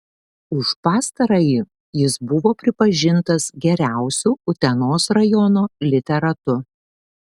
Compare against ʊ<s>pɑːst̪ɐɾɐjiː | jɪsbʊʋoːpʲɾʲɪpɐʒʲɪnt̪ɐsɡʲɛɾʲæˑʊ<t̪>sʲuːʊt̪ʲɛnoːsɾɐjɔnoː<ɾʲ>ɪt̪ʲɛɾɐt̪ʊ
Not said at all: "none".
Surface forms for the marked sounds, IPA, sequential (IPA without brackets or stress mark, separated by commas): ʃ, none, lʲ